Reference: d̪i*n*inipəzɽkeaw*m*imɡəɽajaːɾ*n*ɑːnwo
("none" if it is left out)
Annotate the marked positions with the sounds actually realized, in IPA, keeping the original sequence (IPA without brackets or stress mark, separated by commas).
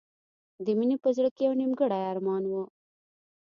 m, n, m